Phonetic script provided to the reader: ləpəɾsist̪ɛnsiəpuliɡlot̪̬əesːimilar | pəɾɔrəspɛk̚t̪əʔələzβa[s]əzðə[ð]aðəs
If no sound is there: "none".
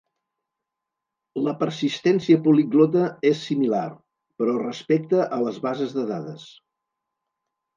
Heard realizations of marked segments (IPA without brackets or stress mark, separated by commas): z, ð